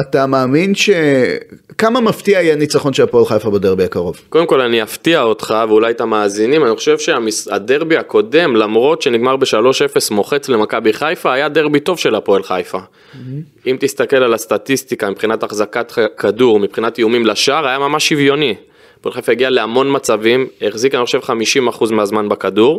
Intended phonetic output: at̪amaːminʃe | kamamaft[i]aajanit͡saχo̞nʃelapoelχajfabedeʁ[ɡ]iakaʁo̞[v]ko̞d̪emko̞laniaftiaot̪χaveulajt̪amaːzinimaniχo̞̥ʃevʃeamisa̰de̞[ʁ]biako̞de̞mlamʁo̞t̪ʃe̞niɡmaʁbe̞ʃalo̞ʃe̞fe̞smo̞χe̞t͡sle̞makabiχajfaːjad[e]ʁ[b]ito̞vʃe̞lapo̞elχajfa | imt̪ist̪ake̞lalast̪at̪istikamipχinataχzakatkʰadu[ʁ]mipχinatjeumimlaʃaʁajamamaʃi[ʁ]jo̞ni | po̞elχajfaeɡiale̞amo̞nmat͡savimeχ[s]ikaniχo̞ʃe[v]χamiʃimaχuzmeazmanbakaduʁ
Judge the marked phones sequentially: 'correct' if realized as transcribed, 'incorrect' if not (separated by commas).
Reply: correct, incorrect, correct, correct, correct, correct, correct, incorrect, incorrect, correct